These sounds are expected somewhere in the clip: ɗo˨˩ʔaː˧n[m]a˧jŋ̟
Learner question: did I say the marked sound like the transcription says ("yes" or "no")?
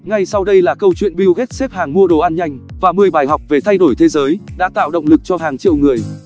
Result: no